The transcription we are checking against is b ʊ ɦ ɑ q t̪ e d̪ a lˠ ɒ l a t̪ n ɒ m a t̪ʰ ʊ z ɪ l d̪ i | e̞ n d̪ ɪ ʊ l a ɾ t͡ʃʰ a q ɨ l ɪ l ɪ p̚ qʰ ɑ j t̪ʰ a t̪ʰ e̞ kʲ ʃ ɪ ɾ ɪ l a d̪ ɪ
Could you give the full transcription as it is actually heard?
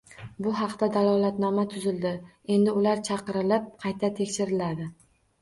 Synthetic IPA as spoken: b ʊ ɦ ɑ q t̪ a d̪ a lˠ ɒ l a t̪ n ɒ m a t̪ʰ ʊ z ɪ l d̪ ɪ | e̞ n d̪ ɪ ʊ l a ɾ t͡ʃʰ ɑ q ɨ ɾ ɪ l ɪ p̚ qʰ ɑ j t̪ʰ a t̪ʰ e̞ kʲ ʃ ɪ ɾ ɪ l a d̪ ɪ